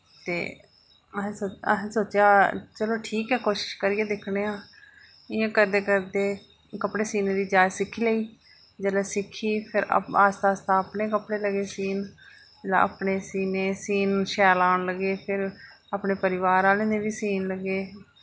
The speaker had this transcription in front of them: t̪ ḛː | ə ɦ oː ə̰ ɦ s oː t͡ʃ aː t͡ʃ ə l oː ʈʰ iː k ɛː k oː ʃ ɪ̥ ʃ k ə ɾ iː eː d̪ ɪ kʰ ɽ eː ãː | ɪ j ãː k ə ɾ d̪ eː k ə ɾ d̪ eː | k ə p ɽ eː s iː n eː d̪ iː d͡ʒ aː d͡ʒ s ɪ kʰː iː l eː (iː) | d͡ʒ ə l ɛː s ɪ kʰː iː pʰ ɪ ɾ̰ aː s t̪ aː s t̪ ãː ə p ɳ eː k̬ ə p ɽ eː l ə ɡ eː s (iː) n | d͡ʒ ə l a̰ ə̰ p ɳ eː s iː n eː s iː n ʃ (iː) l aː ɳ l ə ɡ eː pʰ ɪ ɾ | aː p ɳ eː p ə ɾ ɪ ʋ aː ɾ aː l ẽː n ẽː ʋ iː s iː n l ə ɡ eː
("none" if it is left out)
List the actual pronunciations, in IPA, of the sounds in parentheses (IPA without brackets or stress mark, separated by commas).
iː, iː, ɛː